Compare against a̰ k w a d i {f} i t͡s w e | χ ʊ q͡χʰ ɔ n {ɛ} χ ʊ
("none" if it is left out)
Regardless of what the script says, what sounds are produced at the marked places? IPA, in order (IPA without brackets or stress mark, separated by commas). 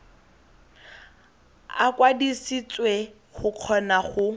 s, a